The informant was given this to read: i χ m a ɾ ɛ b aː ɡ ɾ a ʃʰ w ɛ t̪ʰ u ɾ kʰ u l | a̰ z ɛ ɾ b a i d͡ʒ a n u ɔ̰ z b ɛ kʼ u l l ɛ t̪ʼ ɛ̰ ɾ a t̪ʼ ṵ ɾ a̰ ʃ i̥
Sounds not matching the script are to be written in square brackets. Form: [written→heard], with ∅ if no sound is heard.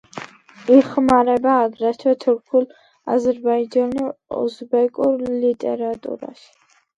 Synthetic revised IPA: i χ m a ɾ ɛ b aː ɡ ɾ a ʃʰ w ɛ t̪ʰ u ɾ kʰ u l | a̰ z ɛ ɾ b a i d͡ʒ a n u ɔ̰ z b ɛ kʼ u [l→ɾ] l [ɛ→i] t̪ʼ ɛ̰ ɾ a t̪ʼ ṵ ɾ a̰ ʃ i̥

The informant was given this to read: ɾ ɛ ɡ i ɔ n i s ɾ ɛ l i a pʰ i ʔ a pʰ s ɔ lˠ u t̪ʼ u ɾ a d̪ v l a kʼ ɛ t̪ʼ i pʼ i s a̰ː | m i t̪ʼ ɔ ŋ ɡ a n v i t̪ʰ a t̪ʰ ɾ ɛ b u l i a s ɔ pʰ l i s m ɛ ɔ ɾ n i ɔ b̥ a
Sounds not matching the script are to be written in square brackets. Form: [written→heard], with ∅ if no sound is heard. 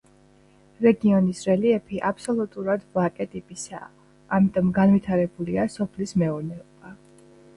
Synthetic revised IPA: ɾ ɛ ɡ i ɔ n i s ɾ ɛ l i [a→ɛ] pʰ i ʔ a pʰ s ɔ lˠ u t̪ʼ u ɾ a d̪ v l a kʼ ɛ t̪ʼ i pʼ i s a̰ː | m i t̪ʼ ɔ [ŋ→m] ɡ a n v i t̪ʰ a [t̪ʰ→∅] ɾ ɛ b u l i a s ɔ pʰ l i s m ɛ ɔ ɾ n [i→ɛ] ɔ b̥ a

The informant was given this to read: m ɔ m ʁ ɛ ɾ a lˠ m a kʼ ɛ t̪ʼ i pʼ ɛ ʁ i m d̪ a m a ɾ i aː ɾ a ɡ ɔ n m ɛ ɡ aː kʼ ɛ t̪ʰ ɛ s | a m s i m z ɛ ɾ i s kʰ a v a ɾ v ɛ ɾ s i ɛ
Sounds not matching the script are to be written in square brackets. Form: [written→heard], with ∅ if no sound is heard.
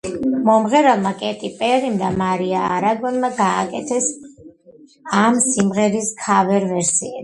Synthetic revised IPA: m ɔ m ʁ ɛ ɾ a lˠ m a kʼ ɛ t̪ʼ i pʼ ɛ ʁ i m d̪ a m a ɾ i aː ɾ a ɡ ɔ n m [ɛ→a] ɡ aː kʼ ɛ t̪ʰ ɛ s | a m s i m [z→ʁ] ɛ ɾ i s kʰ a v [a→ɛ] ɾ v ɛ ɾ s i ɛ

